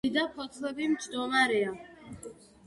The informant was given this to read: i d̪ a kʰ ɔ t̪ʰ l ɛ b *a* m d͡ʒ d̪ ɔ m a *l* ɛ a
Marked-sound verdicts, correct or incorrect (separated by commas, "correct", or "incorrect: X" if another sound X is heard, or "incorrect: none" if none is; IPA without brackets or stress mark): incorrect: i, incorrect: ɾ